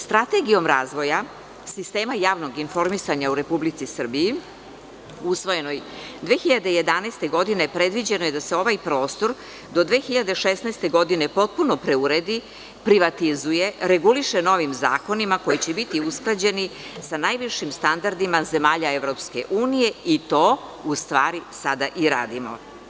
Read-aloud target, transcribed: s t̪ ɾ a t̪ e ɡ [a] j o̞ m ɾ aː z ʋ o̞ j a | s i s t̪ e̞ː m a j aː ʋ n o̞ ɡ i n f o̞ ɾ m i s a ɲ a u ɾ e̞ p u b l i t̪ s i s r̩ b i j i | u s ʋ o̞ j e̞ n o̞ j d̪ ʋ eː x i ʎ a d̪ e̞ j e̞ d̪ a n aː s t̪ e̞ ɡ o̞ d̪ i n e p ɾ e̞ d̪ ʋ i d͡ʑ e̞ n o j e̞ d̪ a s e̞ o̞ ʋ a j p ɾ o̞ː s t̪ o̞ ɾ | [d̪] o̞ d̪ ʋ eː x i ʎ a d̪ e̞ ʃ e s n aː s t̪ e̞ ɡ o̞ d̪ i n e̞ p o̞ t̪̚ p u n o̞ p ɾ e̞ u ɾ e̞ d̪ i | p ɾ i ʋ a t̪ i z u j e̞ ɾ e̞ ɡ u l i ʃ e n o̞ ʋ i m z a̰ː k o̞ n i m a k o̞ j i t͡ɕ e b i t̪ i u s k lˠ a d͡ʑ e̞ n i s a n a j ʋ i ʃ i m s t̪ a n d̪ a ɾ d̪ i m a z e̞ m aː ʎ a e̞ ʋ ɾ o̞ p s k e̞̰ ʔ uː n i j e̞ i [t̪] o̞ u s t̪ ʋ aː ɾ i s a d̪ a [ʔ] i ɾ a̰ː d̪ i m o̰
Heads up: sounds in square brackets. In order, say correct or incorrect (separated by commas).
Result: incorrect, correct, correct, correct